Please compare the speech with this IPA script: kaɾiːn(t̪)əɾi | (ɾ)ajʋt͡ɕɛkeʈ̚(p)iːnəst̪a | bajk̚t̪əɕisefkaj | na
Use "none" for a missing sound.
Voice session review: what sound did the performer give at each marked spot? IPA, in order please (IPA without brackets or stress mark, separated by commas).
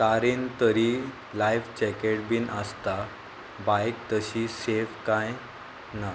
t̪, l, b